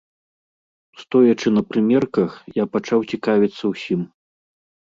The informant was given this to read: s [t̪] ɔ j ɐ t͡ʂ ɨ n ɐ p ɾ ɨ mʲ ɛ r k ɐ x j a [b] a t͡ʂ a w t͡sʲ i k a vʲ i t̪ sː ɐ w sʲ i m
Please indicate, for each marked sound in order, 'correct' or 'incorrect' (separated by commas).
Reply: correct, incorrect